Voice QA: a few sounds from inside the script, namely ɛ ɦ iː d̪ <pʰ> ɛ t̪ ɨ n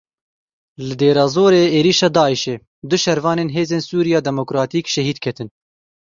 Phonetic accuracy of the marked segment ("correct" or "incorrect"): incorrect